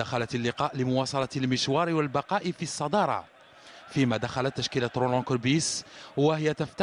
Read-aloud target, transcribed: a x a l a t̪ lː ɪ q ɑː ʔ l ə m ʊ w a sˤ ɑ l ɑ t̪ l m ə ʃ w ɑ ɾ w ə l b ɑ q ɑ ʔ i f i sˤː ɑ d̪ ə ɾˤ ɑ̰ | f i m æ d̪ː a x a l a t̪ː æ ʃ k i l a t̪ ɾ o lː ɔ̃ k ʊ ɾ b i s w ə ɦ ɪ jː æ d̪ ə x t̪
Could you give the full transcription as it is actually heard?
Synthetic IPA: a x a l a t̪ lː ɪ q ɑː ʔ l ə m ʊ w ɑ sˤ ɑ l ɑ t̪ l m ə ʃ w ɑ ɾ w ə l b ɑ q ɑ ʔ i f i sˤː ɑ d̪ ɑ ɾˤ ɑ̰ | f i m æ d̪ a x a l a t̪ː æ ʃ k i l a t̪ ɾ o l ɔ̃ k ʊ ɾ b i s w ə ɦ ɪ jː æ t̪ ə f t̪